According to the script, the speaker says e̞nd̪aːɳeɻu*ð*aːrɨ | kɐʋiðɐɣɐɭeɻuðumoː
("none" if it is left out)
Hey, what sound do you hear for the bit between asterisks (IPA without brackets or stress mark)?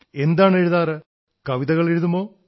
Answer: ð